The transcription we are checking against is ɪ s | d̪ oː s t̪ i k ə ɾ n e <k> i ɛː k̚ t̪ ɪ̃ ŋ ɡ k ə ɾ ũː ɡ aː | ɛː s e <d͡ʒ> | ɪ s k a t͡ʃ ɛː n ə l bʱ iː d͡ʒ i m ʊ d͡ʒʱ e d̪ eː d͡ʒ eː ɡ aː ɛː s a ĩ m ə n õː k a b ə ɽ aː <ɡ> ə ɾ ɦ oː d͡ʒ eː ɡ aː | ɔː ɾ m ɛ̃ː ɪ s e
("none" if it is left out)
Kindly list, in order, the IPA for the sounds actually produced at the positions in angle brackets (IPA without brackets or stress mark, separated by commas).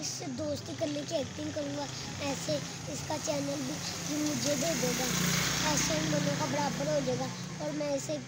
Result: k, none, b